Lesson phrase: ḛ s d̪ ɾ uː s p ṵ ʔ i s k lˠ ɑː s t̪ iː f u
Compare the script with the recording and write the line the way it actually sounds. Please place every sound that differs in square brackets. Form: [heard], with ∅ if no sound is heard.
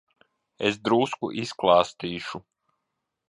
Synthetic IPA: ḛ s d̪ ɾ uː s [k] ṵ ʔ i s k lˠ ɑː s t̪ iː [ʃ] u